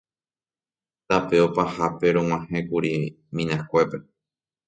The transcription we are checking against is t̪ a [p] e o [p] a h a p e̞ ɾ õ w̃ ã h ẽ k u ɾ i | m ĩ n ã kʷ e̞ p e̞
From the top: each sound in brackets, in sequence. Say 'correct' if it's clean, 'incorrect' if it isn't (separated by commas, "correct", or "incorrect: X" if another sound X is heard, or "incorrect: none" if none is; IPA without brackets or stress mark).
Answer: correct, correct